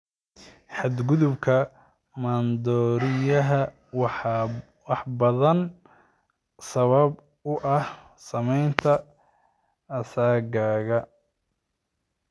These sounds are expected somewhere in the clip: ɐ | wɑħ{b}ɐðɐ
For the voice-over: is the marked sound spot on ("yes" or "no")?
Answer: yes